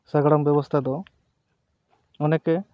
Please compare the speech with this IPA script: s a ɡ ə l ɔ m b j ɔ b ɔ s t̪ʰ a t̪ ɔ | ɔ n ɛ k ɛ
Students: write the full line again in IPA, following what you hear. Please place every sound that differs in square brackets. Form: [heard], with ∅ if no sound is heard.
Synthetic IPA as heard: s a ɡ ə [ɽ] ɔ m b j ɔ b ɔ s t̪ʰ a [d̪] ɔ | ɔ n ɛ k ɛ